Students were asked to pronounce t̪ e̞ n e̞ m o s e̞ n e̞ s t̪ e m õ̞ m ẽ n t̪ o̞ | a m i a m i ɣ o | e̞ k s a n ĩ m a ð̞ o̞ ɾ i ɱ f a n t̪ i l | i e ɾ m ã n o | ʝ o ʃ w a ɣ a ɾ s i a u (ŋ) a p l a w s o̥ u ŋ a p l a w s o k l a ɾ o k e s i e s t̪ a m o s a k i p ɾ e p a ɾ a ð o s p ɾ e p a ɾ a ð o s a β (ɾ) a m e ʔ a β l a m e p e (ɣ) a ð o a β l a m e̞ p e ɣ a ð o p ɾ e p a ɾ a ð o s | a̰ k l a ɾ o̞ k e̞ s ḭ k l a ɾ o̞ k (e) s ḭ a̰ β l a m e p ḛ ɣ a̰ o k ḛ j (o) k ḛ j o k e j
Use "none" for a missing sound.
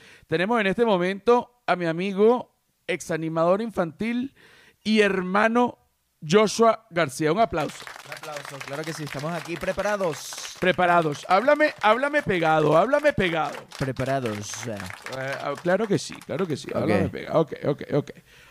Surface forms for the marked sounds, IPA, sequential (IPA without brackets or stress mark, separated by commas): ŋ, l, ɣ, e, o